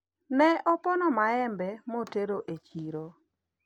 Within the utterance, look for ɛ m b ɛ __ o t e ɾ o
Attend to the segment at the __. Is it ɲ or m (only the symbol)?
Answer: m